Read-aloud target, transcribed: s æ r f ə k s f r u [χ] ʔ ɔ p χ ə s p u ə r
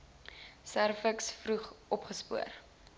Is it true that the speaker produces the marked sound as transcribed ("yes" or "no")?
yes